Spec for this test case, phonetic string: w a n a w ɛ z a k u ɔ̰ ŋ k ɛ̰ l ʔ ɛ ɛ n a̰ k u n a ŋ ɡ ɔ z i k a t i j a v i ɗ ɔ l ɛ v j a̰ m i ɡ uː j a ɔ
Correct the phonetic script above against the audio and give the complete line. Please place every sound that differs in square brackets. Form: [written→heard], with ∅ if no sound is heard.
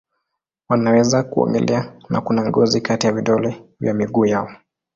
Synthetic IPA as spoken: w a n a w ɛ z a k u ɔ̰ ŋ [k→ɡ] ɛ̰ l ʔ ɛ [ɛ→a] n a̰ k u n a ŋ ɡ ɔ z i k a t i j a v i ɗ ɔ l ɛ v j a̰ m i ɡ uː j a ɔ